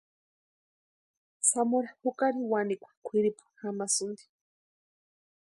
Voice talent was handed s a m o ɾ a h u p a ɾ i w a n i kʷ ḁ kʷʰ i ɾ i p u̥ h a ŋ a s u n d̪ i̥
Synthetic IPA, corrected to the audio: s a m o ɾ a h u k a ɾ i w a n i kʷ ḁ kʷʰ i ɾ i p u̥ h a m a s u n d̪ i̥

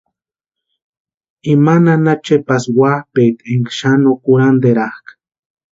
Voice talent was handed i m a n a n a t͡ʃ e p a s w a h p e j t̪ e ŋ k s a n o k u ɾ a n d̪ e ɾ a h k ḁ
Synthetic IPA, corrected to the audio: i m a n a n a t͡ʃ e p a s w a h p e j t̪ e ŋ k ʃ a n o k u ɾ a n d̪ e ɾ a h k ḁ

